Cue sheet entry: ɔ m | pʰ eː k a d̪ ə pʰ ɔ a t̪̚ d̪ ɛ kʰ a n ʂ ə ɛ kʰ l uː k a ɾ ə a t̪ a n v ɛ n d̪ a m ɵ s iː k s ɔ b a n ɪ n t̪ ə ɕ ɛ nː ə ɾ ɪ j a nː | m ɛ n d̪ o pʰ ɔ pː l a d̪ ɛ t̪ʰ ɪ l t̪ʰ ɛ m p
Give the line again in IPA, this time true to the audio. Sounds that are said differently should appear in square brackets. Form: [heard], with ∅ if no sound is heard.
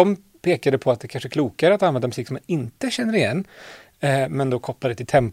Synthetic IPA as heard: ɔ m | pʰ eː k a d̪ ə pʰ ɔ a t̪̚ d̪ ɛ kʰ a n ʂ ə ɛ kʰ l uː k a ɾ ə a t̪ a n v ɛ n d̪ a m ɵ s iː k s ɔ [m] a n ɪ n t̪ ə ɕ ɛ nː ə ɾ ɪ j [ɛ] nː | m ɛ n d̪ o [kʰ] ɔ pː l a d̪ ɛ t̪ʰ ɪ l t̪ʰ ɛ m p